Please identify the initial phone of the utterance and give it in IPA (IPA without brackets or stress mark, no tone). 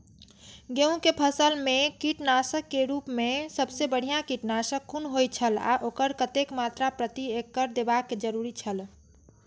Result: ɡ